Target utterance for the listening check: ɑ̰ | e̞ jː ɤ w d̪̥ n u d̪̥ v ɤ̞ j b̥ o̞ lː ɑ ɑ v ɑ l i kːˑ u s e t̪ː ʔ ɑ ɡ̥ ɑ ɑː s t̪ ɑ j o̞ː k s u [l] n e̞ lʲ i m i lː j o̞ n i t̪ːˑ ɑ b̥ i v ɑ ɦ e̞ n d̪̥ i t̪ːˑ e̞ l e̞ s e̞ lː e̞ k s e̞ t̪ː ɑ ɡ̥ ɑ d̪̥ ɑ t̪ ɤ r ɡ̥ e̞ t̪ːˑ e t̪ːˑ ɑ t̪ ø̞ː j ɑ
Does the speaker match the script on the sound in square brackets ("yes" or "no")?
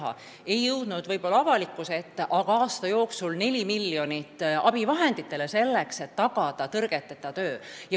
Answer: yes